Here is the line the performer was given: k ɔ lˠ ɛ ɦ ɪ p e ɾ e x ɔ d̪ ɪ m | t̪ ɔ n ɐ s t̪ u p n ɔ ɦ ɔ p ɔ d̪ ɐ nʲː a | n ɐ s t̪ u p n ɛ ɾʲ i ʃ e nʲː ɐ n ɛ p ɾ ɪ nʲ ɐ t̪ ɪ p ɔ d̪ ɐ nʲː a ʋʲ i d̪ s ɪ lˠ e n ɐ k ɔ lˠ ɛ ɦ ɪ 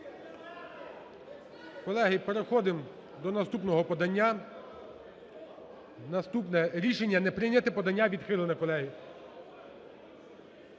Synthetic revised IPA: k ɔ lˠ ɛ ɦ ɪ p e ɾ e x ɔ d̪ ɪ m | d̪ ɔ n ɐ s t̪ u p n ɔ ɦ ɔ p ɔ d̪ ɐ nʲː a | n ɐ s t̪ u p n ɛ ɾʲ i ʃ e nʲː ɐ n ɛ p ɾ ɪ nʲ ɐ t̪ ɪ p ɔ d̪ ɐ nʲː a ʋʲ i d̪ x ɪ lˠ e n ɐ k ɔ lˠ ɛ ɦ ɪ